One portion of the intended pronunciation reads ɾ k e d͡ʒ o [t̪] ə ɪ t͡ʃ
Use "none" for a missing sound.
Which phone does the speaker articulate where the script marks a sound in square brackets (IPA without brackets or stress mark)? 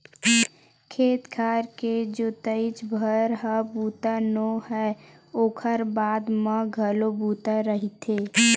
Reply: t̪